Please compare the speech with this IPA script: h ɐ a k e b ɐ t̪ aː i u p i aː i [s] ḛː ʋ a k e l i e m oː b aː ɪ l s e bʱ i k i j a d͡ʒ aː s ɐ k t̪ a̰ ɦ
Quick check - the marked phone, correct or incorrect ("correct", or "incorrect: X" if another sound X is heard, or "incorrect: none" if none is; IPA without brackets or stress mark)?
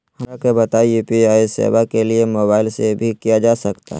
correct